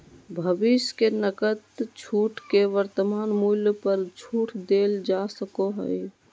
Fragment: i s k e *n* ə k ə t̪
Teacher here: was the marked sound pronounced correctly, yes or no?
yes